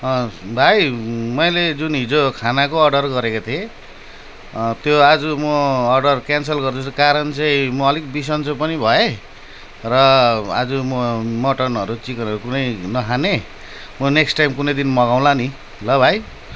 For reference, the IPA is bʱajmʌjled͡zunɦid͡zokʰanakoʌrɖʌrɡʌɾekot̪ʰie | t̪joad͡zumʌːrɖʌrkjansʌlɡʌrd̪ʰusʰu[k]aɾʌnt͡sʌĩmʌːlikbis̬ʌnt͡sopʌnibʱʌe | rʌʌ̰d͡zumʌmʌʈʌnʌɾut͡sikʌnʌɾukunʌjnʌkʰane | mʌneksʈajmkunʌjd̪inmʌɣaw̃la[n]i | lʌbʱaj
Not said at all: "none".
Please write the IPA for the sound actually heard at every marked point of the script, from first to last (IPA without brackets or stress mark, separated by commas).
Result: k, n